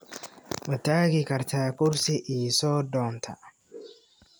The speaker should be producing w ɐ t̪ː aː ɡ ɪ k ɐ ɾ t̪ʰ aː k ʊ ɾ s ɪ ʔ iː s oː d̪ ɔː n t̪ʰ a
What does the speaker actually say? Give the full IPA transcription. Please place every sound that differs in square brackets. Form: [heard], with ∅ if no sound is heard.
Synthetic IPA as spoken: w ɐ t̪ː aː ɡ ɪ k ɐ ɾ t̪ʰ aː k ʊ ɾ s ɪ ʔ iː s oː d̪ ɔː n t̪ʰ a